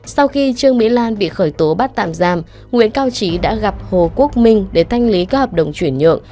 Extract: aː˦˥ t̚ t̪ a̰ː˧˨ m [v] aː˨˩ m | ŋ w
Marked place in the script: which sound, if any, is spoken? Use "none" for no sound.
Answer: z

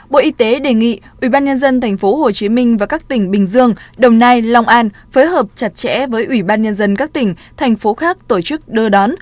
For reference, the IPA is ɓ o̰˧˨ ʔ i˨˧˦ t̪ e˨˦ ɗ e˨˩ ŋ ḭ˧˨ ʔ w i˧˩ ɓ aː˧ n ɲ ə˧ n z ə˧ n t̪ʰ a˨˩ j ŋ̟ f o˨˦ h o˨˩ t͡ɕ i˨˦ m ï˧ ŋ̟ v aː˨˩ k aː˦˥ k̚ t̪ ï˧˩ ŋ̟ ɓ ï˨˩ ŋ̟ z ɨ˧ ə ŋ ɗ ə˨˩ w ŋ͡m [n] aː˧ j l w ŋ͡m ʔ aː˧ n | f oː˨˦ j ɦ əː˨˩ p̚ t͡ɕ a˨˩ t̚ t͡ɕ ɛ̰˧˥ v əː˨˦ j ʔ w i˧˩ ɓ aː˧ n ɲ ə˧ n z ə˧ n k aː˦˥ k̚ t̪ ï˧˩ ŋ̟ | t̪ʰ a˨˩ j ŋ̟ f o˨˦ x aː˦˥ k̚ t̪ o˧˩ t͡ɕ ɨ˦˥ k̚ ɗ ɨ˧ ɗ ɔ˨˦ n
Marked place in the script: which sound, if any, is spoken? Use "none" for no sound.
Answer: n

